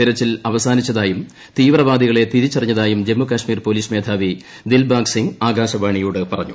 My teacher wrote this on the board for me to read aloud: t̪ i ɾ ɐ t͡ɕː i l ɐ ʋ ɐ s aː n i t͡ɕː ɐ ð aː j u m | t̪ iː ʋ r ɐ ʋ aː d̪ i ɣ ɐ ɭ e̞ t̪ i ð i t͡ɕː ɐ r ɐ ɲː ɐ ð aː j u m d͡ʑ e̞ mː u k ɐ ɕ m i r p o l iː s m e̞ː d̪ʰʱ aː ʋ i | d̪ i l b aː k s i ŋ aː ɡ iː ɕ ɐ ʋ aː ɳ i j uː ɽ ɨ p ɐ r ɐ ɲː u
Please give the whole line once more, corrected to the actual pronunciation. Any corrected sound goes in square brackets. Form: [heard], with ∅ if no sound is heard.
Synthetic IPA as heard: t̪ i ɾ ɐ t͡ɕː i l ɐ ʋ ɐ s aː n i t͡ɕː ɐ ð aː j u m | t̪ iː ʋ r ɐ ʋ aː d̪ i ɣ ɐ ɭ e̞ t̪ i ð i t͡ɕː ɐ r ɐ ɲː ɐ ð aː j u m d͡ʑ e̞ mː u k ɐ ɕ m [iː] r p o l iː s m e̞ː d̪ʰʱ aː ʋ i | d̪ i l b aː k s i ŋ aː ɡ [aː] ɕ ɐ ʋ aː ɳ i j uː ɽ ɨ p ɐ r ɐ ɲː u

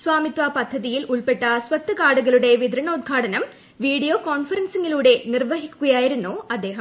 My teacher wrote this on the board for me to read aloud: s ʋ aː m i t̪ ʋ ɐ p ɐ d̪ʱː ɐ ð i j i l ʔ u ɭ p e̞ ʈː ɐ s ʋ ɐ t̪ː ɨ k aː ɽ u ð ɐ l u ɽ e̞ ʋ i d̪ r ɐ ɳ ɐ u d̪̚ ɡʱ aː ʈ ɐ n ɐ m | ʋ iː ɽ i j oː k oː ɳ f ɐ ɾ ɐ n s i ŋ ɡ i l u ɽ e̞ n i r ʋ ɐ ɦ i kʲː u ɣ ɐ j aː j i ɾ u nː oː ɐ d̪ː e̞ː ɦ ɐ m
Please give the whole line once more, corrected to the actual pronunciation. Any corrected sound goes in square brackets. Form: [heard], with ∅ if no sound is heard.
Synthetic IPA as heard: s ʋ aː m i t̪ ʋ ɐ p ɐ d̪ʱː ɐ ð i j i l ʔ u ɭ p e̞ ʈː ɐ s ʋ ɐ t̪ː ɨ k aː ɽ u [ɣ] ɐ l u ɽ e̞ ʋ i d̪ [ɾ] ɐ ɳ ɐ u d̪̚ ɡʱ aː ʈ ɐ n ɐ m | ʋ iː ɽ i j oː k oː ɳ f ɐ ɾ ɐ n s i ŋ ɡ i l [uː] ɽ e̞ n i r ʋ ɐ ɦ i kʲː u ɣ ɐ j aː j i ɾ u nː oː ɐ d̪ː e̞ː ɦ ɐ m

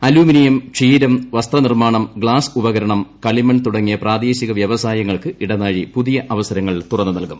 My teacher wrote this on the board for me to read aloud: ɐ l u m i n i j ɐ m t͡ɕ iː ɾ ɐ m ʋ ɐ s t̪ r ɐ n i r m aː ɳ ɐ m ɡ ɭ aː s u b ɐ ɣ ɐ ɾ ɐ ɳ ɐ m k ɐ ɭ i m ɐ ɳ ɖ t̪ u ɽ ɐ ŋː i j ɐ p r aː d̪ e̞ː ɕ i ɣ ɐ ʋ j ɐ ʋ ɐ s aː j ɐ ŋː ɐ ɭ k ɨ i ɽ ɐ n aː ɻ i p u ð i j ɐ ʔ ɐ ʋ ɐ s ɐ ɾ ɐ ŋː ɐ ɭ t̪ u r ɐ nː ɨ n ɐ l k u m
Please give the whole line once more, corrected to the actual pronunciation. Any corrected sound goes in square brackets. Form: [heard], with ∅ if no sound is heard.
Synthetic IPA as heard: ɐ l [uː] m i n i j ɐ m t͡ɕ iː ɾ ɐ m ʋ ɐ s t̪ r ɐ n i r m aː ɳ ɐ m ɡ ɭ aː s u b ɐ ɣ ɐ ɾ ɐ ɳ ɐ m k ɐ ɭ i m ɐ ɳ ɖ t̪ u ɽ ɐ ŋː i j ɐ p r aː d̪ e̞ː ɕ i ɣ ɐ ʋ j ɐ ʋ ɐ s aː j ɐ ŋː ɐ ɭ k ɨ i ɽ ɐ n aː ɻ i p u ð i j ɐ ʔ ɐ ʋ ɐ s ɐ ɾ ɐ ŋː ɐ ɭ t̪ u r ɐ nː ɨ n ɐ l k u m

